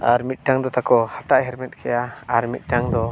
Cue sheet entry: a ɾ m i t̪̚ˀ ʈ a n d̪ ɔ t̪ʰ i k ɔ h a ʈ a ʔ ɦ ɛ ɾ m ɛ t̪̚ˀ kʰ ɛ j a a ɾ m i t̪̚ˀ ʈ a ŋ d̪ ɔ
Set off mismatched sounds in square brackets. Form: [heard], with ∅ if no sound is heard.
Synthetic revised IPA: a ɾ m i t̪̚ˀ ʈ a [ŋ] d̪ ɔ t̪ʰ [a] k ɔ h a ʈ a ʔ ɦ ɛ ɾ m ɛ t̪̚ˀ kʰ ɛ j a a ɾ m i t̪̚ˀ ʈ a ŋ d̪ ɔ

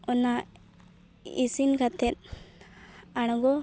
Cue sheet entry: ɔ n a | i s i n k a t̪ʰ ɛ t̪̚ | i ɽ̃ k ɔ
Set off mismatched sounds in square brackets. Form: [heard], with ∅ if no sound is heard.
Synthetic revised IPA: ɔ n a | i s i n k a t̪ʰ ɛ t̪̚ | [a] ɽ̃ [ɡ] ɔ

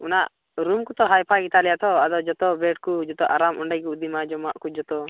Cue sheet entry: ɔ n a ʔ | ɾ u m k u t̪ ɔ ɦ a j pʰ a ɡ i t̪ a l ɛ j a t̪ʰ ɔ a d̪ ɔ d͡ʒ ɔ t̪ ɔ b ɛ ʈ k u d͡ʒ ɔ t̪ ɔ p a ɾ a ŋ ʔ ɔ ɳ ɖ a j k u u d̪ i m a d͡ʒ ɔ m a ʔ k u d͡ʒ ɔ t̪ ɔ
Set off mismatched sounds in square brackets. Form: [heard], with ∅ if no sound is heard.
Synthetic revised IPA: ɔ n a ʔ | ɾ u m k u t̪ ɔ ɦ a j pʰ a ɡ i t̪ a l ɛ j a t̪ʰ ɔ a d̪ ɔ d͡ʒ ɔ t̪ ɔ b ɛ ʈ k u d͡ʒ ɔ t̪ ɔ [ʔ] a ɾ a [m] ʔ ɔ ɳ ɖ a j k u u d̪ i m a d͡ʒ ɔ m a ʔ k u d͡ʒ ɔ t̪ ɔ

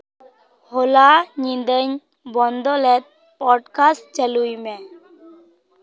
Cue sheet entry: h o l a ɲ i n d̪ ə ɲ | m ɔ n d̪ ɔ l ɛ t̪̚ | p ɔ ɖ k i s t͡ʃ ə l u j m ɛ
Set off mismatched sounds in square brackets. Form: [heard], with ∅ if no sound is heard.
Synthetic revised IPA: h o l a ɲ i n d̪ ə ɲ | [b] ɔ n d̪ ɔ l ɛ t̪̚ | p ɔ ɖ k [a] s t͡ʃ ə l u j m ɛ

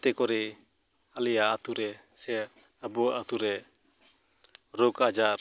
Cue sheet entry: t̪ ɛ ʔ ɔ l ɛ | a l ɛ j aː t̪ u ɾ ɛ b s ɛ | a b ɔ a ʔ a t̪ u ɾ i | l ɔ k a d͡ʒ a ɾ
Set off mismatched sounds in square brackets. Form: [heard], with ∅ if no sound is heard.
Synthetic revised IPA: t̪ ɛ [k] ɔ [ɾ] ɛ | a l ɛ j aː t̪ u ɾ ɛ [∅] s ɛ | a b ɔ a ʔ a t̪ u ɾ [ɛ] | [ɾ] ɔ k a d͡ʒ a ɾ

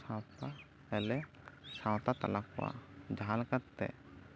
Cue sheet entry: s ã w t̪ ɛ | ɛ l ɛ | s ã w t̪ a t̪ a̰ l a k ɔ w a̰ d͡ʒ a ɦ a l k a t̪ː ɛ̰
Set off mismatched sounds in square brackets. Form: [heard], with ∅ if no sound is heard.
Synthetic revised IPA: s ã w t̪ [a] | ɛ l ɛ | s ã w t̪ a t̪ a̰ l a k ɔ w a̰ d͡ʒ a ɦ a l k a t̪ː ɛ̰

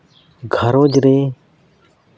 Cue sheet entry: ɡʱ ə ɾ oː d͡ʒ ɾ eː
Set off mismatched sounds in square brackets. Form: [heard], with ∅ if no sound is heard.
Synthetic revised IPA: ɡʱ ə ɾ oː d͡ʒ ɾ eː

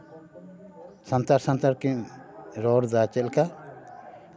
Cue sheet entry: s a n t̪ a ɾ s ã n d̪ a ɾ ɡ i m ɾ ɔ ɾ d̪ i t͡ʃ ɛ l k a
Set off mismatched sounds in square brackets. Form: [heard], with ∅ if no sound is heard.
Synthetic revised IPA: s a n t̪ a ɾ s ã n [t̪] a ɾ [k] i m ɾ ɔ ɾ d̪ [a] t͡ʃ ɛ l k a

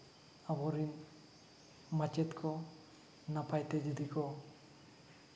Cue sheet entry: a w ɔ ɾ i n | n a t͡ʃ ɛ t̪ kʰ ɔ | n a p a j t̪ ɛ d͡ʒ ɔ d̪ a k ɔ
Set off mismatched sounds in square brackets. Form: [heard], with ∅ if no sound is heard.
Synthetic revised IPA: a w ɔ ɾ i n | [m] a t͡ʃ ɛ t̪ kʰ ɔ | n a p a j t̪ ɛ d͡ʒ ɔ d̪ [i] k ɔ

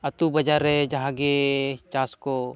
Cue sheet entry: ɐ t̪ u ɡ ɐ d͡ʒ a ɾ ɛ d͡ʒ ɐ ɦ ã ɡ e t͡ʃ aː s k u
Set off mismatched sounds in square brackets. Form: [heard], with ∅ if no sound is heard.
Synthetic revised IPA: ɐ t̪ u [b] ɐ d͡ʒ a ɾ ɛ d͡ʒ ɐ ɦ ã ɡ e t͡ʃ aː s k [o]

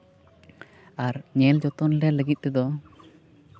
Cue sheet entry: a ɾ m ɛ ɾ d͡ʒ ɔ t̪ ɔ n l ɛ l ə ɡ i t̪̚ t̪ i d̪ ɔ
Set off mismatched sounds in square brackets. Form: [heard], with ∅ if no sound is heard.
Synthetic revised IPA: a ɾ [ɲ] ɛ [l] d͡ʒ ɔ t̪ ɔ n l ɛ l ə ɡ i t̪̚ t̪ [ɛ] d̪ ɔ

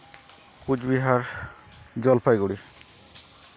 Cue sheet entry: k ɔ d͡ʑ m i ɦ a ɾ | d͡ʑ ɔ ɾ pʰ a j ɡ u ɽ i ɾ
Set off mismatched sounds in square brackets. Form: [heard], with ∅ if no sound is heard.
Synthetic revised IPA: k [u] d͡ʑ [b] i ɦ a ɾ | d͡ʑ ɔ [l] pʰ a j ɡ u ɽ i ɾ

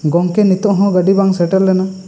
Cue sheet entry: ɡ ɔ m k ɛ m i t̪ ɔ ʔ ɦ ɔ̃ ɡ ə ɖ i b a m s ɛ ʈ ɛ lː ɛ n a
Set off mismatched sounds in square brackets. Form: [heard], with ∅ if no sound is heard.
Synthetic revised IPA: ɡ ɔ [ŋ] k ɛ [n] i t̪ ɔ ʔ ɦ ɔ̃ ɡ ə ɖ i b a [ŋ] s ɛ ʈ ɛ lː ɛ n a

